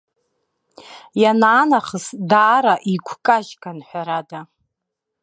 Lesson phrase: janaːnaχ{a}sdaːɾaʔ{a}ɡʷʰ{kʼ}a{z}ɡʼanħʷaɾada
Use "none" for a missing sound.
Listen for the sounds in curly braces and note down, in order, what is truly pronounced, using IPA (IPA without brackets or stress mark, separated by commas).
ə, i, kʼ, ʒ